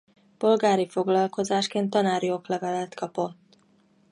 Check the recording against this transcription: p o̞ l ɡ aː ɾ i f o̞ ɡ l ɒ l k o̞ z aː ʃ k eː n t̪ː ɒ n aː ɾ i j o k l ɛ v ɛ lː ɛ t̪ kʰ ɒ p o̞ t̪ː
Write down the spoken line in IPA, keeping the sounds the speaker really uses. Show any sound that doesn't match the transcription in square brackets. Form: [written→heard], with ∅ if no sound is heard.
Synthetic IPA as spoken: p o̞ l ɡ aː ɾ i f o̞ ɡ l ɒ l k o̞ z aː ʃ k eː n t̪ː ɒ n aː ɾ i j o k l ɛ v ɛ [lː→l] ɛ t̪ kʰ ɒ p o̞ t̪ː